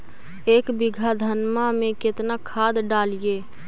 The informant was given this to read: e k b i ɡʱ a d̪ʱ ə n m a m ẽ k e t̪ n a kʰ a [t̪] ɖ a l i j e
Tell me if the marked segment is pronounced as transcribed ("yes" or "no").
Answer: no